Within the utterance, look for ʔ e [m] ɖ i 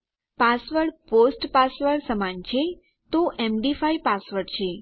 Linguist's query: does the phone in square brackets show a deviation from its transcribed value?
no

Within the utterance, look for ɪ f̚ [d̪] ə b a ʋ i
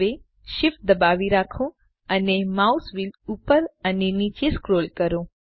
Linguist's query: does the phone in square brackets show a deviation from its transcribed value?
no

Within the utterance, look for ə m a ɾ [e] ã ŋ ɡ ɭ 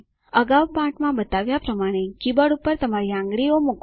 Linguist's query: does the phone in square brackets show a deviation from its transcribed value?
yes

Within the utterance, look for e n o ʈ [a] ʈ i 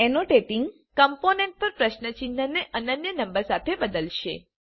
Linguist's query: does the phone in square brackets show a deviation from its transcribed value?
yes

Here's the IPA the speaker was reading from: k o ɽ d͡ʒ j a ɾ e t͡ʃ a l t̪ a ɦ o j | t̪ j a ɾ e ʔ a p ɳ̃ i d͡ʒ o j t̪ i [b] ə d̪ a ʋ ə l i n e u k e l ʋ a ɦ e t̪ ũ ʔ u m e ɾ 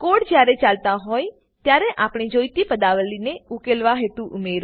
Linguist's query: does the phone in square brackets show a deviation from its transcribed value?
yes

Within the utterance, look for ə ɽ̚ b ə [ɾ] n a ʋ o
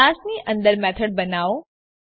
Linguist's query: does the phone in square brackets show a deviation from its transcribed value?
yes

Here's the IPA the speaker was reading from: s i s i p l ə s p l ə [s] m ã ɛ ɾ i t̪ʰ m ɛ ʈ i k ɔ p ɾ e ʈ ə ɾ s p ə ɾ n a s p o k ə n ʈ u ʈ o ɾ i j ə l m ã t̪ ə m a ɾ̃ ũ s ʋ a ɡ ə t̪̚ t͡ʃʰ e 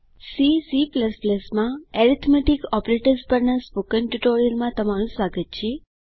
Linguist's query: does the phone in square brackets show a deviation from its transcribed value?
no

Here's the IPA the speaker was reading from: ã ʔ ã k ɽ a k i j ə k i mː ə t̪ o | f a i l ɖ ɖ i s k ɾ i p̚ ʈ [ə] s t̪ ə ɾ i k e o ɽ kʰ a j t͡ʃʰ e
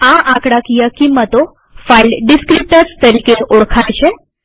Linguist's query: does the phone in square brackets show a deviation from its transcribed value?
no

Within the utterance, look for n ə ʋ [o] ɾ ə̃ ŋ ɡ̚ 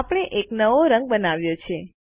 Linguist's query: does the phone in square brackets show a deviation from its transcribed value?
no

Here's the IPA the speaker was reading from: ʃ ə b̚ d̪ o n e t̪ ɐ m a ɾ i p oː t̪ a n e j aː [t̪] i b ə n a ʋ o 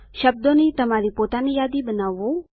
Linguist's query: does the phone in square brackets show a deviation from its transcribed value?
yes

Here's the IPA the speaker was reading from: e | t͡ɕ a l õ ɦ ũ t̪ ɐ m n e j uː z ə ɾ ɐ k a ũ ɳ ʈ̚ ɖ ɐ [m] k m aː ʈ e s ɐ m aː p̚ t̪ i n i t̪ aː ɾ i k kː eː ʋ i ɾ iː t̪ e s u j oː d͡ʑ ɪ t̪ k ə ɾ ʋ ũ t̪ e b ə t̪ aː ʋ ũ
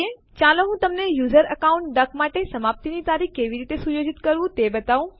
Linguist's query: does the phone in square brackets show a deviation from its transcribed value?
yes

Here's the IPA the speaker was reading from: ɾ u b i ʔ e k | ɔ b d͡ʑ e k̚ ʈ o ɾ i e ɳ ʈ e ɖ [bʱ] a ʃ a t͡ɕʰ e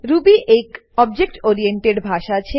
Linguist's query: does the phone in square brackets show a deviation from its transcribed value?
no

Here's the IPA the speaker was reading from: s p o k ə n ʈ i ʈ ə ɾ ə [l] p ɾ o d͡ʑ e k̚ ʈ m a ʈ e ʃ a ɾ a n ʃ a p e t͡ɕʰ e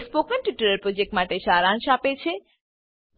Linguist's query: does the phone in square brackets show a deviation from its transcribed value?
yes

